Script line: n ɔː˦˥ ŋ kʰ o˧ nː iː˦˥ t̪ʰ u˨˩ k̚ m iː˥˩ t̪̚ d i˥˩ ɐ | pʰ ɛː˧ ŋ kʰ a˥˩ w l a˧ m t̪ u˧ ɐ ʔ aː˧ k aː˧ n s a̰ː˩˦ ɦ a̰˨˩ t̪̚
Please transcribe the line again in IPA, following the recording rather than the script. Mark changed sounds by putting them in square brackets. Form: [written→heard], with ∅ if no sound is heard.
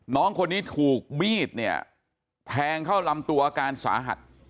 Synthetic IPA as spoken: n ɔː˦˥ ŋ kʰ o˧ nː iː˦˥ t̪ʰ [u˨˩→uː˨˩] k̚ m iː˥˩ t̪̚ [d→n] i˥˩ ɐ | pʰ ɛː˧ ŋ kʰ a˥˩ w l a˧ m t̪ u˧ ɐ ʔ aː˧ k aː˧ n s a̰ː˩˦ ɦ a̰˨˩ t̪̚